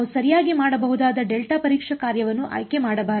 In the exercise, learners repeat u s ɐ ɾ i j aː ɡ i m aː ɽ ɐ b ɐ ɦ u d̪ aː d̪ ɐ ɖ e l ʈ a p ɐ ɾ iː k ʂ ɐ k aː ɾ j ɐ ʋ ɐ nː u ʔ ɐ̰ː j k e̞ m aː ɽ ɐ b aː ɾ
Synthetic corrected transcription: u s ɐ ɾ i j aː ɡ i m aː ɽ ɐ b ɐ ɦ u d̪ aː d̪ ɐ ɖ e l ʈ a p ɐ ɾ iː k ʂ ɐ k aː ɾ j ɐ ʋ ɐ nː u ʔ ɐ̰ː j k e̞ m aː ɽ ɐ b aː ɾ